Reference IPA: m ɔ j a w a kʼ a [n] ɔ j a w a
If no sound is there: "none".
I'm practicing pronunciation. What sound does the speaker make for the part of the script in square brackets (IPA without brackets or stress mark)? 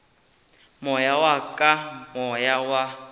m